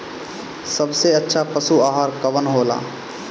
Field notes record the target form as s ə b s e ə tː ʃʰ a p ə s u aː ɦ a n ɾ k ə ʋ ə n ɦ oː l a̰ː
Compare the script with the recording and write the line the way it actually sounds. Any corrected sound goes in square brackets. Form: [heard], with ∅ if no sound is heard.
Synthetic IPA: s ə b s e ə tː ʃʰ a p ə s u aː ɦ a [∅] ɾ k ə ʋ ə n ɦ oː l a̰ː